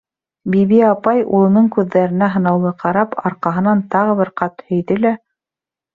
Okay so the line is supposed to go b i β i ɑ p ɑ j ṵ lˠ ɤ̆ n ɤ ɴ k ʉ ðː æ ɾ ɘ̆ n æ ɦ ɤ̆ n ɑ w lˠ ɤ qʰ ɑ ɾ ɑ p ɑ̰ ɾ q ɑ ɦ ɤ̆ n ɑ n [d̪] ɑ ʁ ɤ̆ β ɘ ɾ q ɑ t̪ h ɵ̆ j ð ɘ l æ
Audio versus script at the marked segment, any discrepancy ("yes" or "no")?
yes